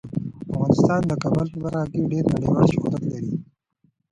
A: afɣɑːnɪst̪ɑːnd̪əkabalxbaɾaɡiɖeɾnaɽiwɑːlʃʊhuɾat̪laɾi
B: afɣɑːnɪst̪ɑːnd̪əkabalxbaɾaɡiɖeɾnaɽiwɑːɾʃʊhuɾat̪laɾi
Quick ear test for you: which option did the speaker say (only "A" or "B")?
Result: A